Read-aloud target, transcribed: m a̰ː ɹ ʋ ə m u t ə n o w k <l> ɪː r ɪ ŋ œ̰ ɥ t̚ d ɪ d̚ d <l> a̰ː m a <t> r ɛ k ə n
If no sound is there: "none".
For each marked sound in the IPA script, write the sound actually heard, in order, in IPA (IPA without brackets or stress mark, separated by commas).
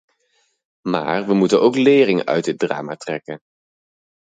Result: l, r, t